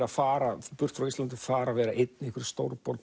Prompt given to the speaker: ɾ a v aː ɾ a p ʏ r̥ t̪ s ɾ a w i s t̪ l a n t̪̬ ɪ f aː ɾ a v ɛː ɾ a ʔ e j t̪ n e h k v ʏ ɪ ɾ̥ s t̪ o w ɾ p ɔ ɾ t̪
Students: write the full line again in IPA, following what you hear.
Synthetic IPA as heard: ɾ a f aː ɾ a p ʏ r̥ t̪ f ɾ a w i s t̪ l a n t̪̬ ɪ f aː ɾ a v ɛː ɾ a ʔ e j t̪ n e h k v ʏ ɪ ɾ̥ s t̪ o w ɾ p ɔ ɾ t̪